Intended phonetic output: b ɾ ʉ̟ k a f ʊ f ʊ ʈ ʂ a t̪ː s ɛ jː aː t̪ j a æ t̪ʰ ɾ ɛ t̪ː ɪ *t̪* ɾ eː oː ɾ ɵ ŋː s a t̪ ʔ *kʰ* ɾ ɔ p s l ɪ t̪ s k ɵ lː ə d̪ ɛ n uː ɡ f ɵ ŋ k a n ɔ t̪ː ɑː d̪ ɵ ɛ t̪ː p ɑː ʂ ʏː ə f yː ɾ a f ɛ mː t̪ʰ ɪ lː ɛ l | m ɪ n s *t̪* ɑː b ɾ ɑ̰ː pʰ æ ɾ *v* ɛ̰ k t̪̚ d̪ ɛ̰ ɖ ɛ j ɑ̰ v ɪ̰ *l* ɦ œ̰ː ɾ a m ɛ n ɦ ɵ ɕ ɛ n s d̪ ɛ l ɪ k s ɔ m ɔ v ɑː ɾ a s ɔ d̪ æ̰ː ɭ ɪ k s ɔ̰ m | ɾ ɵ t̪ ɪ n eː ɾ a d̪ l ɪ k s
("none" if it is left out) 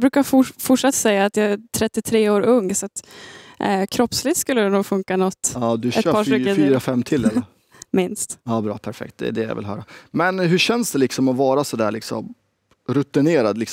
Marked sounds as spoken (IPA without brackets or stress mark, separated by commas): t̪ʰ, kʰ, t̪, f, l